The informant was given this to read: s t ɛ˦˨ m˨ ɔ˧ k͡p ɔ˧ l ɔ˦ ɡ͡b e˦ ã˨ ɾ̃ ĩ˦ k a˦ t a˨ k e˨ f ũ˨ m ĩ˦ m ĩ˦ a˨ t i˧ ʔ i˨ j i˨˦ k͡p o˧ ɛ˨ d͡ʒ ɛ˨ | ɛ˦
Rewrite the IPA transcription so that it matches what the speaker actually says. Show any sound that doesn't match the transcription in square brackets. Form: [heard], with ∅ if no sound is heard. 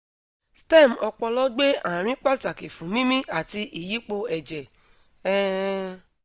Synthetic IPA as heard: s t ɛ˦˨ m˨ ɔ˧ k͡p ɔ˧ l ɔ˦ ɡ͡b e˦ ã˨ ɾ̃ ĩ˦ [k͡p] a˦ t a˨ k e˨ f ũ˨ m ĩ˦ m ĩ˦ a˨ t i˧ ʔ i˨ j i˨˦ k͡p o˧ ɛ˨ d͡ʒ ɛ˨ | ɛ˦